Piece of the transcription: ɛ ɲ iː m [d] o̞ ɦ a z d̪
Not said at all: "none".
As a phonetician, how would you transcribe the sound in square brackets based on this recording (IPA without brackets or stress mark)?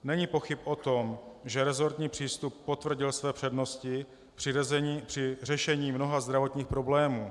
n